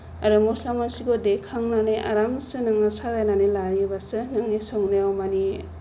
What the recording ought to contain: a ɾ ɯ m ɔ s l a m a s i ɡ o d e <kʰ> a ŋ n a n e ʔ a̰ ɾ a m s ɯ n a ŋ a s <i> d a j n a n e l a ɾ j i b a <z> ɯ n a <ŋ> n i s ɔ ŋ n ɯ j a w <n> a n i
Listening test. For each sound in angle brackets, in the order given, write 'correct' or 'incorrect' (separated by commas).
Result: correct, incorrect, incorrect, correct, incorrect